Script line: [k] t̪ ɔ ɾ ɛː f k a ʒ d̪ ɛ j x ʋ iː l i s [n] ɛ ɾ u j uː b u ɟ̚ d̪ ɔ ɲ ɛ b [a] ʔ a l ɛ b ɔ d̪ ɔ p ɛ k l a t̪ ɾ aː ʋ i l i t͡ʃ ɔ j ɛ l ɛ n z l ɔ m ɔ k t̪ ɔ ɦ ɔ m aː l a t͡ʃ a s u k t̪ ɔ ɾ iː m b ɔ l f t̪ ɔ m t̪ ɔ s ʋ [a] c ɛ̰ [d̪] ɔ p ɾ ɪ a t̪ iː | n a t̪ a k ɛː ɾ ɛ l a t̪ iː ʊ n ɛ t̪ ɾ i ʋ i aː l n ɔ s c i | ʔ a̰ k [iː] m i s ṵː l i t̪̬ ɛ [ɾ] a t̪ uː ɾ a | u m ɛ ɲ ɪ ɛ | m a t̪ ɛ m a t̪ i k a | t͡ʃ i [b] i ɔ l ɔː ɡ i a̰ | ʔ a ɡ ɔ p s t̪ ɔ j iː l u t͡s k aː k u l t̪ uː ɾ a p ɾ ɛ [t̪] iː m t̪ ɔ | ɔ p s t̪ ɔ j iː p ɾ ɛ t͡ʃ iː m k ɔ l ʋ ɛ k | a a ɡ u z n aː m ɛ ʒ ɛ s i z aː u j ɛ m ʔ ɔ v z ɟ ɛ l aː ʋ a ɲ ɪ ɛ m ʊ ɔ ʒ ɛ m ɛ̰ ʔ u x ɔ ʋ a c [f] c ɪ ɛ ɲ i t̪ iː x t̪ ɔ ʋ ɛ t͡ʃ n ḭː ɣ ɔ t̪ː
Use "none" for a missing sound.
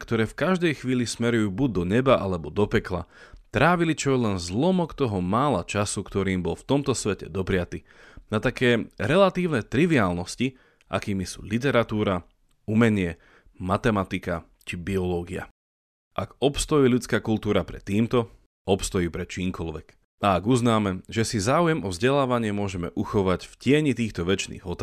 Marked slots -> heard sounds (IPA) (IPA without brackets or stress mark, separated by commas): k, m, a, ɛ, d̪, iː, ɾ, b, t̪, f